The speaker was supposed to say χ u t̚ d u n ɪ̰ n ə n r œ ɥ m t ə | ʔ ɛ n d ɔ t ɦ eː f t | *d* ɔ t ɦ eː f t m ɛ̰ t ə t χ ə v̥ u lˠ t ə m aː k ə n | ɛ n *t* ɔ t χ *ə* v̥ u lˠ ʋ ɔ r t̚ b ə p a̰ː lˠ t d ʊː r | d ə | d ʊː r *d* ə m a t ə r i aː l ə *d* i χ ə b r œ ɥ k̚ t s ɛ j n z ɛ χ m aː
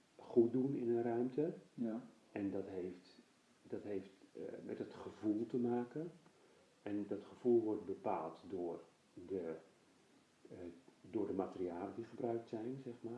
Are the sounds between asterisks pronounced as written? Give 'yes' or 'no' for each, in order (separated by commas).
yes, no, yes, yes, yes